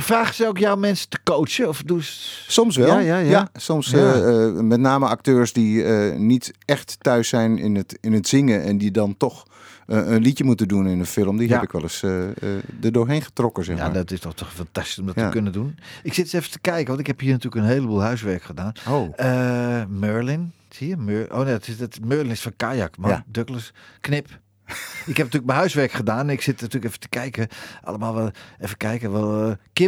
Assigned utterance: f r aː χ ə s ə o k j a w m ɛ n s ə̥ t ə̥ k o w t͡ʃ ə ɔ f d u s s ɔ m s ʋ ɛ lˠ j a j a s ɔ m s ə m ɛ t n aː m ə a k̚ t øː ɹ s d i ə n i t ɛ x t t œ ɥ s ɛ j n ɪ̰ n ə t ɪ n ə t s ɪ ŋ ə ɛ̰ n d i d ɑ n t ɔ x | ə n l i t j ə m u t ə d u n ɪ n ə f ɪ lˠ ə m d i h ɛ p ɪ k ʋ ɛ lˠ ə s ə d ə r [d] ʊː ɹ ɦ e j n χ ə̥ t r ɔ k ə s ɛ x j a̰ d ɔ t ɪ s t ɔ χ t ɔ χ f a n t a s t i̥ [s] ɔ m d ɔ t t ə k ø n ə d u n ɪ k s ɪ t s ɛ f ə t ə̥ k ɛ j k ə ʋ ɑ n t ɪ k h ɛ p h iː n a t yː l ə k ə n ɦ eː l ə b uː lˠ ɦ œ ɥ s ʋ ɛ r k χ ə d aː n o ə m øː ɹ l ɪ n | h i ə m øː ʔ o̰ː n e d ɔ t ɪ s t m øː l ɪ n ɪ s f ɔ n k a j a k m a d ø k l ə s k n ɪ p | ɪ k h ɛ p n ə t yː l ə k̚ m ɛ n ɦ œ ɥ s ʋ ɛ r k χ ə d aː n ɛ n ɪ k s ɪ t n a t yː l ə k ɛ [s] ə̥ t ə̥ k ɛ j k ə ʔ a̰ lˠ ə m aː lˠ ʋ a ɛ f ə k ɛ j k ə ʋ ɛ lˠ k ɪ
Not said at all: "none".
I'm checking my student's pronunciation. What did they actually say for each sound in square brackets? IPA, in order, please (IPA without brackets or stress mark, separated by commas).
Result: d, s, f